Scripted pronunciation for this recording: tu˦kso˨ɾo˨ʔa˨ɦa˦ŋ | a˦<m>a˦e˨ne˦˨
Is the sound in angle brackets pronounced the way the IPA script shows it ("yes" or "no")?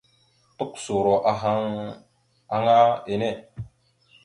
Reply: no